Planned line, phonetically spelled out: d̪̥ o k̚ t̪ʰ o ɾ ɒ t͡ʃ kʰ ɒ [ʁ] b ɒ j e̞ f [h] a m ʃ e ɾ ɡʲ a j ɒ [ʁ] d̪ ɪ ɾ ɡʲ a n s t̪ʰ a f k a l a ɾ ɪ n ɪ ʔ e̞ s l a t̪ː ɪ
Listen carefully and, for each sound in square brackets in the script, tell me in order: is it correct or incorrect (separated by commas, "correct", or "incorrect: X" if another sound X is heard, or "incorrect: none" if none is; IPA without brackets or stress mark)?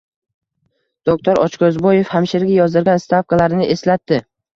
incorrect: z, correct, incorrect: z